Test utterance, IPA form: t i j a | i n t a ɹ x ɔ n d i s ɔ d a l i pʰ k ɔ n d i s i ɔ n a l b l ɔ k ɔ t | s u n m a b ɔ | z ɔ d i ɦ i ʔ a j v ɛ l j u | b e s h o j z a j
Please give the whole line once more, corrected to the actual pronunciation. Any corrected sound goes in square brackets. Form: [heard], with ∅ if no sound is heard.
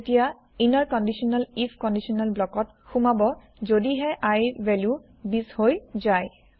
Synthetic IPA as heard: t i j a | i n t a ɹ [k] ɔ n d i s ɔ [n] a l i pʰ k ɔ n d i s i ɔ n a l b l ɔ k ɔ t | [x] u [∅] m a b ɔ | z [o] d i ɦ [ɛ] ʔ a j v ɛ l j u | b [i] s h o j z a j